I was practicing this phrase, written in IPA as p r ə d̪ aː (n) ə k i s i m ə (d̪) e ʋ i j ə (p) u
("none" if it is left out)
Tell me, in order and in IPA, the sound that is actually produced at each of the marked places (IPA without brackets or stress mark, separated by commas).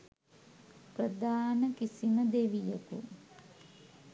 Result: n, d̪, k